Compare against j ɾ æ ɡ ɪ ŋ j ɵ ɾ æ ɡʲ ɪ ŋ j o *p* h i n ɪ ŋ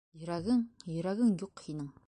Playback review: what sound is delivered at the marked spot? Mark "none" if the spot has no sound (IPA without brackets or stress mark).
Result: q